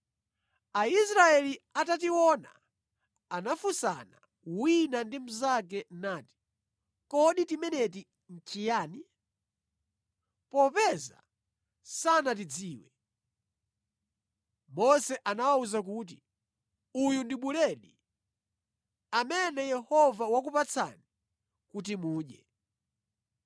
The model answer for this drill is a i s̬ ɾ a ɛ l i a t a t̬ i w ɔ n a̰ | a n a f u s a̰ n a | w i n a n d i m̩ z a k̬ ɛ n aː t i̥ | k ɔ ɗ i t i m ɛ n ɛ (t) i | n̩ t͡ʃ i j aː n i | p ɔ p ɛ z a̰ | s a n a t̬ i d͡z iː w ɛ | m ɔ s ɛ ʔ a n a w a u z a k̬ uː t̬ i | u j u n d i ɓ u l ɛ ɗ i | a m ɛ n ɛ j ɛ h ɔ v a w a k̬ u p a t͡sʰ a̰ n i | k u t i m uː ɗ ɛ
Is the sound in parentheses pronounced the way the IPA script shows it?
yes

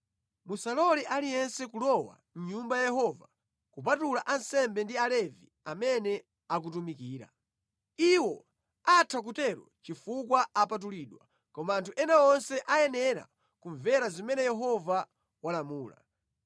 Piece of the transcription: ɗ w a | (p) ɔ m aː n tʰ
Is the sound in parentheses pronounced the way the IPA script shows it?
no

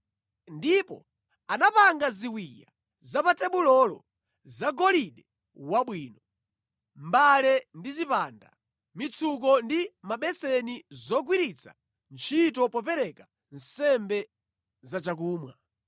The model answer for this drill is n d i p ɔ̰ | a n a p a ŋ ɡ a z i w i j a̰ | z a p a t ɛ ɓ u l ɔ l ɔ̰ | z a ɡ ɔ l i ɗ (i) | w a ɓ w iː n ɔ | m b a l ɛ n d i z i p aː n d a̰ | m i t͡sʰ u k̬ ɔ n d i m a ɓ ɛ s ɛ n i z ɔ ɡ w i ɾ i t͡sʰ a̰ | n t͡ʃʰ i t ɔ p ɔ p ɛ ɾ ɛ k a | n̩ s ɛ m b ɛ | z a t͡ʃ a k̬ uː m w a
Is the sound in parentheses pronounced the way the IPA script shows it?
no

